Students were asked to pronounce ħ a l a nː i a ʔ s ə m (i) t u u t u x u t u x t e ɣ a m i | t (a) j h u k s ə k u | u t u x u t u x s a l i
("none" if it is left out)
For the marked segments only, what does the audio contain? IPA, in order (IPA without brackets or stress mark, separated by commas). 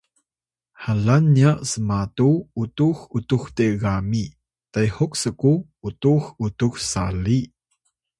a, a